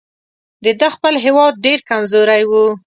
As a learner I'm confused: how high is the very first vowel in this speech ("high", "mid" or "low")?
mid